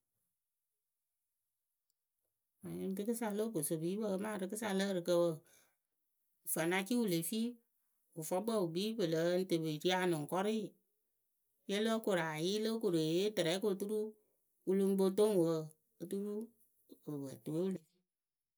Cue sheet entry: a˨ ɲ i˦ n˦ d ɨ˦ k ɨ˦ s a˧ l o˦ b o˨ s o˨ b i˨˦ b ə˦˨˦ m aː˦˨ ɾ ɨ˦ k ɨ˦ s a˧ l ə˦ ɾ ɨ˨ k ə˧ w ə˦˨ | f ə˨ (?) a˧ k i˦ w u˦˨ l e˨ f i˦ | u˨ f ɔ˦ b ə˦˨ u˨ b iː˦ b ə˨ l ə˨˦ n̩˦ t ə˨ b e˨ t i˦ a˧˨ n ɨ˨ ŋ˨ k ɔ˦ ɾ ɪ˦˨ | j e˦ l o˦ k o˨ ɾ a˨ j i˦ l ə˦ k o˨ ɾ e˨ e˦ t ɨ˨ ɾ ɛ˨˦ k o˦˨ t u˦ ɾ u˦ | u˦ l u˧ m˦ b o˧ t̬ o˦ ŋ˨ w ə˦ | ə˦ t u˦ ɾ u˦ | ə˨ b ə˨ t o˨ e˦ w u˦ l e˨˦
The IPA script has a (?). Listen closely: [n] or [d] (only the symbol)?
n